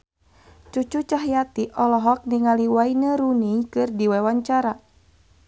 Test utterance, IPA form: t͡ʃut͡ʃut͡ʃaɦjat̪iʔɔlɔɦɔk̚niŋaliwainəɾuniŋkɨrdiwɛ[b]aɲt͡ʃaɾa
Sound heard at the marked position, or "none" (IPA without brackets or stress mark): w